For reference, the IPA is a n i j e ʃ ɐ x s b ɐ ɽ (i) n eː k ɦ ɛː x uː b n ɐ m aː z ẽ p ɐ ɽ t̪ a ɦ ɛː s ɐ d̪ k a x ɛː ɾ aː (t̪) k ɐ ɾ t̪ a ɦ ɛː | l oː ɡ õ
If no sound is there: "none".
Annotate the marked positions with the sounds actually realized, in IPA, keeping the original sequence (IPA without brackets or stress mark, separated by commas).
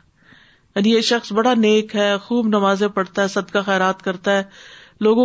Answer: a, t̪